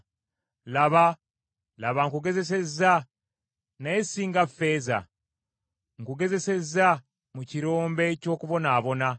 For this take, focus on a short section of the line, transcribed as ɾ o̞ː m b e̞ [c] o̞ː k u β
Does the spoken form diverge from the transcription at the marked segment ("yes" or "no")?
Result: no